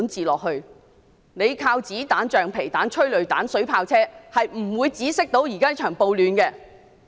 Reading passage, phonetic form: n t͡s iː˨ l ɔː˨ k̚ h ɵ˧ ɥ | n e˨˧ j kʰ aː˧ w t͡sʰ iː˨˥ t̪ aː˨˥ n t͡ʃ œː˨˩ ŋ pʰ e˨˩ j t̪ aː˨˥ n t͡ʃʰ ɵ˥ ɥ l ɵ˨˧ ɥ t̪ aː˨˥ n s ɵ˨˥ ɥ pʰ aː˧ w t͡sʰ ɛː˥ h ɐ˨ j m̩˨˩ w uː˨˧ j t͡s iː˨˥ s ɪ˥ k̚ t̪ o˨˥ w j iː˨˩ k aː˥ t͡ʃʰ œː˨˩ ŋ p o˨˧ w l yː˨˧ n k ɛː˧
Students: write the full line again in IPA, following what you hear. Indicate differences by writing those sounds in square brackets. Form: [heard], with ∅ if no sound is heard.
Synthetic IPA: n t͡s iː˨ l ɔː˨ k̚ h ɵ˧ ɥ | n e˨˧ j kʰ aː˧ w [t͡s] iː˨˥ t̪ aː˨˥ n t͡ʃ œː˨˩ ŋ pʰ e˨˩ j t̪ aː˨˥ n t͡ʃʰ ɵ˥ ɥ l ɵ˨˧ ɥ t̪ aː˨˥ n s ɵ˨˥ ɥ pʰ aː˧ w t͡sʰ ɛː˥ h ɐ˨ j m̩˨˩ w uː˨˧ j t͡s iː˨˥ s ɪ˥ k̚ t̪ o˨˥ w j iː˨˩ k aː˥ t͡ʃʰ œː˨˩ ŋ p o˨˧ w l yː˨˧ n k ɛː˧

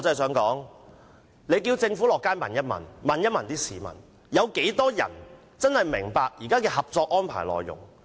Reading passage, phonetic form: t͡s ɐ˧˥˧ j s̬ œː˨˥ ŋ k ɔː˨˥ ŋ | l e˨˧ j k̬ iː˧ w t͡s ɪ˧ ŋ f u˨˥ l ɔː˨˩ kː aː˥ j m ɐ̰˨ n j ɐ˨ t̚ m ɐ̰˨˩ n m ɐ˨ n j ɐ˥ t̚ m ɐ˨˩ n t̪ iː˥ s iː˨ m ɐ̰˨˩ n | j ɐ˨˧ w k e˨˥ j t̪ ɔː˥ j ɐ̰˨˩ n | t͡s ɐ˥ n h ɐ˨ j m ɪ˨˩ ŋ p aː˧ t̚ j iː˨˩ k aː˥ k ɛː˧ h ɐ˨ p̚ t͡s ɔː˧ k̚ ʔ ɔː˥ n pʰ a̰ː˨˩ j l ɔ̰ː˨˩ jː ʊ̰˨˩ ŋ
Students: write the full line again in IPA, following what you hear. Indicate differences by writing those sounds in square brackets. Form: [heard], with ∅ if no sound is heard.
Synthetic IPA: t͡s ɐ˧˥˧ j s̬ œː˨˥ ŋ k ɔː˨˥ ŋ | l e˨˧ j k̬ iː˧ w t͡s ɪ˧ ŋ f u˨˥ l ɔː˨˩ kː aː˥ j m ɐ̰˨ n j [ɐ˥] t̚ m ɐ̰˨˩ n m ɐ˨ n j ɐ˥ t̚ m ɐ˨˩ n t̪ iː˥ s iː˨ m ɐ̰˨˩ n | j ɐ˨˧ w k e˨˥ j t̪ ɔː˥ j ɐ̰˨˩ n | t͡s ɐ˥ n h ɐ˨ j m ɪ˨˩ ŋ p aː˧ [k̚] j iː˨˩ k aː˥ k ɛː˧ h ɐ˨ p̚ t͡s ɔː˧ k̚ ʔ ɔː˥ n pʰ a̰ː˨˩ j l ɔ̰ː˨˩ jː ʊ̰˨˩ ŋ

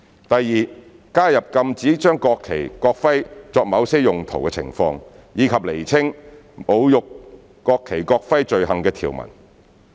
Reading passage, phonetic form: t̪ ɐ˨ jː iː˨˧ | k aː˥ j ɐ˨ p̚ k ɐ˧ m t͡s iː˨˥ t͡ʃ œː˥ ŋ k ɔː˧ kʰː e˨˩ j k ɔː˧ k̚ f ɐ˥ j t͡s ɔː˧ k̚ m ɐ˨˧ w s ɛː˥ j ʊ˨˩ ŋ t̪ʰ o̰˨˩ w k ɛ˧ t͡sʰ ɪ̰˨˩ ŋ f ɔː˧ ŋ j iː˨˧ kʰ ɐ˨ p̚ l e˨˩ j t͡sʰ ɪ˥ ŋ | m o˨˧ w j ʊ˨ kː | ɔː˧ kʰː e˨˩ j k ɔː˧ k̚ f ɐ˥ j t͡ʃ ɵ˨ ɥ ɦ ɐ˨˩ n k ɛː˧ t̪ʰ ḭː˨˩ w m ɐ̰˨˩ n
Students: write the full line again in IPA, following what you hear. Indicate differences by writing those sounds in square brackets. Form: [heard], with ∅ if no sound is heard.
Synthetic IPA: t̪ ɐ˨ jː iː˨˧ | k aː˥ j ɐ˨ p̚ k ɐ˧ m t͡s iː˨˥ t͡ʃ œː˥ ŋ k ɔː˧ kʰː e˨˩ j k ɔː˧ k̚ f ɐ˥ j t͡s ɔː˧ k̚ m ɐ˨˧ w s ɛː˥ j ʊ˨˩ ŋ t̪ʰ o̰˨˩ w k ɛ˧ t͡sʰ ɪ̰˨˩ ŋ f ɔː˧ ŋ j iː˨˧ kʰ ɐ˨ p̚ l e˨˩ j t͡sʰ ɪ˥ ŋ | m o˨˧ w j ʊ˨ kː | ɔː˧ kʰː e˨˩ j k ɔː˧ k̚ f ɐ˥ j t͡ʃ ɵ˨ ɥ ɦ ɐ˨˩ [ŋ] k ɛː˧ t̪ʰ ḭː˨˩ w m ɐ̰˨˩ n

